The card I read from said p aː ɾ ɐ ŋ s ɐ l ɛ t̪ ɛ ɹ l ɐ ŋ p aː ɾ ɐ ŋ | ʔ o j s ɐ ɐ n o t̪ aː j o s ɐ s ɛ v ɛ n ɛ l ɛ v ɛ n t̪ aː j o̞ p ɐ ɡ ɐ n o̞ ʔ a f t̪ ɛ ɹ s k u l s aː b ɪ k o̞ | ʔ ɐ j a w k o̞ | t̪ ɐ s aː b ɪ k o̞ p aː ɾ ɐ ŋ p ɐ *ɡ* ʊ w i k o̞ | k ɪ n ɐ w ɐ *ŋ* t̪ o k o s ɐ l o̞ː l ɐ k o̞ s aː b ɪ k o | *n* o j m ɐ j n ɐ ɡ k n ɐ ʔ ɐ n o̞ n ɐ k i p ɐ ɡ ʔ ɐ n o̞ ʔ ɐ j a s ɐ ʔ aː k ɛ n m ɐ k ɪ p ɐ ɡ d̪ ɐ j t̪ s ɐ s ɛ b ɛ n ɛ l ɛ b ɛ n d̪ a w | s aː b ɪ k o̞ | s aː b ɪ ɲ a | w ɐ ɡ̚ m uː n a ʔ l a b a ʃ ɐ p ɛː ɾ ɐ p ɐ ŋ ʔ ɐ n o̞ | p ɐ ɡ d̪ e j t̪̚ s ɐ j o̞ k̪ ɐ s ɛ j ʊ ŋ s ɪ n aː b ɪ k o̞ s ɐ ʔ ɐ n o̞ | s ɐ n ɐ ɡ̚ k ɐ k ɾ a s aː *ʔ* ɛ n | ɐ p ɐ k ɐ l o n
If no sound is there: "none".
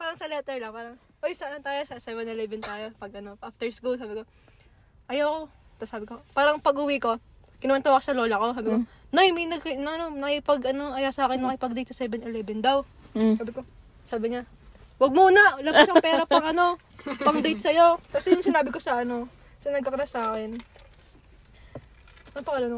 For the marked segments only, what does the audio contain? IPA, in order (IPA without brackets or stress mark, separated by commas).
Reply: ɡ, n, n, k